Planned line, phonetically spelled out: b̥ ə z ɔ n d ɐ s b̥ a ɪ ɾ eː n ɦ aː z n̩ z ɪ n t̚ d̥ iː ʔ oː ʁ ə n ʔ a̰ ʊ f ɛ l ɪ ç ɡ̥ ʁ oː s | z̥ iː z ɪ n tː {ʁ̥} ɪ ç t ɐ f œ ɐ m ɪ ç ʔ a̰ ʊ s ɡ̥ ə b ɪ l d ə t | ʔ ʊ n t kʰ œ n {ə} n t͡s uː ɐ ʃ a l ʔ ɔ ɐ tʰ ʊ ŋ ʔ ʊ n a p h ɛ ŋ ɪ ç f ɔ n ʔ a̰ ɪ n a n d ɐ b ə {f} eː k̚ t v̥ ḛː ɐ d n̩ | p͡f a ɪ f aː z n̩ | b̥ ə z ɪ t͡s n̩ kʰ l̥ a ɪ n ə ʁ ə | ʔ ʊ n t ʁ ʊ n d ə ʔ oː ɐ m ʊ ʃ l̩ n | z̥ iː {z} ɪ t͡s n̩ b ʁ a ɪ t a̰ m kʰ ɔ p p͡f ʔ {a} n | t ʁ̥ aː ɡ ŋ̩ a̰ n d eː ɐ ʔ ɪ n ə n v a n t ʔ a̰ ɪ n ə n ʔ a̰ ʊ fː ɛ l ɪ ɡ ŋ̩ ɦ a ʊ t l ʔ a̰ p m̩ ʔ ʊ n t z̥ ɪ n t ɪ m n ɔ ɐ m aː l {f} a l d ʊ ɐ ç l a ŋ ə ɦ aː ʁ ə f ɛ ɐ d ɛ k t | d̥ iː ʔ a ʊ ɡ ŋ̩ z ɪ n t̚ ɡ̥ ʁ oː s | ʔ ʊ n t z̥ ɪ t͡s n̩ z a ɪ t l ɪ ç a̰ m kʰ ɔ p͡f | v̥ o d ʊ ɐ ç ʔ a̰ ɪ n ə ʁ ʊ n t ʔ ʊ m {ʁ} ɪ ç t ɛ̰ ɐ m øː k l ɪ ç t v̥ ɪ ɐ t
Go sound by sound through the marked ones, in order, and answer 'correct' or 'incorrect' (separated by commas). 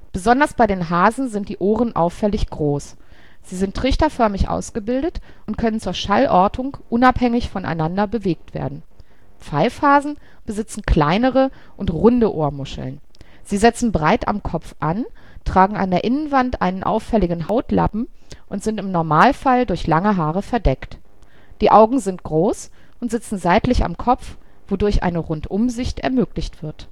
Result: correct, correct, incorrect, correct, correct, correct, incorrect